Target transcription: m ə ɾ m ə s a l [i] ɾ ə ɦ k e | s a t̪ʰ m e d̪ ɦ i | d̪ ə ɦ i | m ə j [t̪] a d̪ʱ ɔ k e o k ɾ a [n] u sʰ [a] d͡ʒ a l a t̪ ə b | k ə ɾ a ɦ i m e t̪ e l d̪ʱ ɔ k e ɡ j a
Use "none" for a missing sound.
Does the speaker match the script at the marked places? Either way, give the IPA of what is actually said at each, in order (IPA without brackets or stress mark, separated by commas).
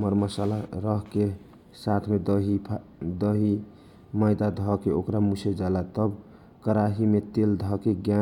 a, d̪, m, e